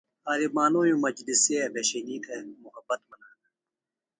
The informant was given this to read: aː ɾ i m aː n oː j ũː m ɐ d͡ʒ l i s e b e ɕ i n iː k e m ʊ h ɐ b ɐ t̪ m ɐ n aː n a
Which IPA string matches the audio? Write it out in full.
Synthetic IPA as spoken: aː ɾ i m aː n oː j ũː m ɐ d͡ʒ l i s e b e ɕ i n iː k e m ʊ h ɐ b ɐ t̪ m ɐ n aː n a

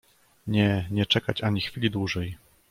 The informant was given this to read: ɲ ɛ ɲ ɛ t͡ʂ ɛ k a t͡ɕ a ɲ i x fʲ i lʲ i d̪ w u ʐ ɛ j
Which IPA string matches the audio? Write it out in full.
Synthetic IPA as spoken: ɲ ɛ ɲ ɛ t͡ʂ ɛ k a t͡ɕ a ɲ i x fʲ i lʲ i d̪ w u ʐ ɛ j

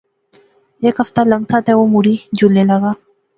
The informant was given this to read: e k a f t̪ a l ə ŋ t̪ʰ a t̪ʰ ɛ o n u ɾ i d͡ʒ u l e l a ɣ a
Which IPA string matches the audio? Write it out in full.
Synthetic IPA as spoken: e k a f t̪ a l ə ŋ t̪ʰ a t̪ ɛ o m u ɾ i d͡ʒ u l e l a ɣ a

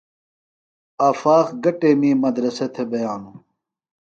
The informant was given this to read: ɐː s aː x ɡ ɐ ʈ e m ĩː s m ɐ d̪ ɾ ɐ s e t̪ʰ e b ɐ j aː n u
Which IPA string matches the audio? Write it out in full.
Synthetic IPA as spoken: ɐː f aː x ɡ ɐ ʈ e m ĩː m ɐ d̪ ɾ ɐ s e t̪ʰ e b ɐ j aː n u

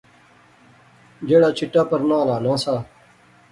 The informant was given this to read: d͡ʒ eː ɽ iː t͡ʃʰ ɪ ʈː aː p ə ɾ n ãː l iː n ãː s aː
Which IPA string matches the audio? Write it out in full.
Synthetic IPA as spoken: d͡ʒ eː ɽ aː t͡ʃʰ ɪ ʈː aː p ə ɾ n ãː l aː n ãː s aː

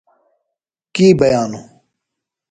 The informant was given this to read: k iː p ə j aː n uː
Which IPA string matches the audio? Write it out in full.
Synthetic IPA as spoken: k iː b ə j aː n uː

